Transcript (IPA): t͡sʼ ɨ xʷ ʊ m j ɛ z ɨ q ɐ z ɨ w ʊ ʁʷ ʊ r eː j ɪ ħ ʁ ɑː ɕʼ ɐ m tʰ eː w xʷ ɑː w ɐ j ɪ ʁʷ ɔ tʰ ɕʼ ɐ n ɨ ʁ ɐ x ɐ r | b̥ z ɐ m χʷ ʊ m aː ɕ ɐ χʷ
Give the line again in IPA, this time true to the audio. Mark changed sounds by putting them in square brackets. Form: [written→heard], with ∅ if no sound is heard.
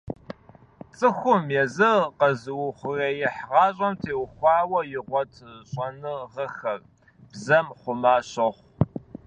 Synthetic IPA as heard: t͡sʼ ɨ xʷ ʊ m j ɛ z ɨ q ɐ z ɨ w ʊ [ʁʷ→χʷ] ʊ r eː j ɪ ħ ʁ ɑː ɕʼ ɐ m tʰ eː w xʷ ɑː w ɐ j ɪ ʁʷ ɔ tʰ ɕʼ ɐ n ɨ ʁ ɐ x ɐ r | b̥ z ɐ m χʷ ʊ m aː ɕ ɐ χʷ